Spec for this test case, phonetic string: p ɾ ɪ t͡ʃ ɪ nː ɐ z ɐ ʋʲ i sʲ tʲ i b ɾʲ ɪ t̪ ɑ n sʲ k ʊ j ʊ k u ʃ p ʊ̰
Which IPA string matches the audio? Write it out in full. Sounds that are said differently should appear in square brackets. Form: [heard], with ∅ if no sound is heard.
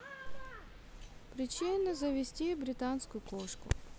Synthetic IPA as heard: p ɾ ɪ t͡ʃ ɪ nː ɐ z ɐ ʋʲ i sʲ tʲ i b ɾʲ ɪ t̪ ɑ n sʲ k ʊ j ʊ k [ɔ] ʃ [k] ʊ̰